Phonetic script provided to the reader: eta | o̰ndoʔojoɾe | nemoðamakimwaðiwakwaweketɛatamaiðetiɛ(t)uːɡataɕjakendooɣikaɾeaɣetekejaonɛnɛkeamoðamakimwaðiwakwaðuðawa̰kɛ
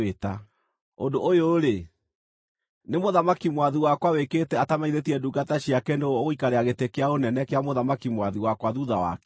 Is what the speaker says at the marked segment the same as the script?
no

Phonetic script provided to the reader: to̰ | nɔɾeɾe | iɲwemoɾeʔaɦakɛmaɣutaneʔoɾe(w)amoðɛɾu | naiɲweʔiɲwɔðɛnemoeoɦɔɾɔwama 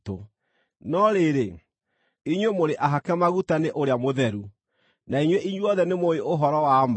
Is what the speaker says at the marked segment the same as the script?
no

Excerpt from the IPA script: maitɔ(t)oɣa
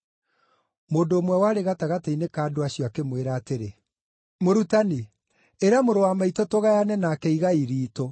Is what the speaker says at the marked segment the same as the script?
yes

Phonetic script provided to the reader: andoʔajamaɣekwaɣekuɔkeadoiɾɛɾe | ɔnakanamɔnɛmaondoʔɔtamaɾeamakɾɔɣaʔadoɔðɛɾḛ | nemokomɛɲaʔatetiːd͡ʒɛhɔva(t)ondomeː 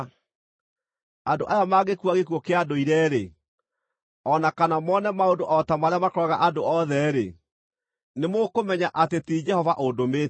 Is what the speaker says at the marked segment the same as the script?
no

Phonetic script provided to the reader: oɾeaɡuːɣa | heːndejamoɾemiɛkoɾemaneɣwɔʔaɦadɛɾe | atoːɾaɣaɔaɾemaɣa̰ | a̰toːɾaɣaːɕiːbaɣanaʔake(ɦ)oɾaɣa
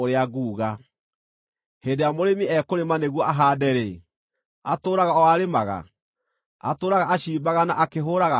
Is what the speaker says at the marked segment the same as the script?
yes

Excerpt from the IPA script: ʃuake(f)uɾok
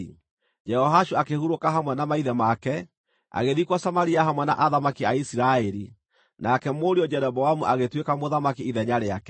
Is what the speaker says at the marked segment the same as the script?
no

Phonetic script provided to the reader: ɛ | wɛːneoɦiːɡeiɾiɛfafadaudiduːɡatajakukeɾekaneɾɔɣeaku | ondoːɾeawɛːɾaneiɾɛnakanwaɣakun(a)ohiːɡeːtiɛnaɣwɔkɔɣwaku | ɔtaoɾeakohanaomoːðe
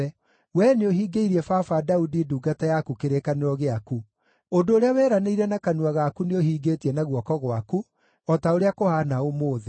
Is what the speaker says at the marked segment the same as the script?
no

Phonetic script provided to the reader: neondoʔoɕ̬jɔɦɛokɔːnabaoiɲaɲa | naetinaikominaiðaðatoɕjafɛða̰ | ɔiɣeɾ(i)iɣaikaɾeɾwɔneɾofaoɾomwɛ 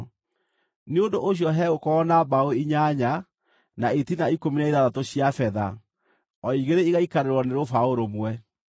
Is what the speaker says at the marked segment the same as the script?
no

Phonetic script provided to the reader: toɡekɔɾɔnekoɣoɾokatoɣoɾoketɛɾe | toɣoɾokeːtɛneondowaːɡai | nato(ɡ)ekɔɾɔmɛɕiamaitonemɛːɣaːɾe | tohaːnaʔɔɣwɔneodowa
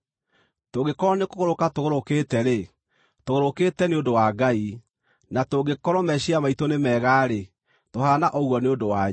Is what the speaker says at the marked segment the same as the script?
yes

